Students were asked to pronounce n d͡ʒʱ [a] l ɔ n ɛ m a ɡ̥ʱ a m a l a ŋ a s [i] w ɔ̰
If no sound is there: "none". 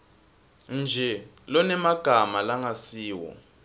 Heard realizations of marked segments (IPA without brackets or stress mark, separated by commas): ɛ, iː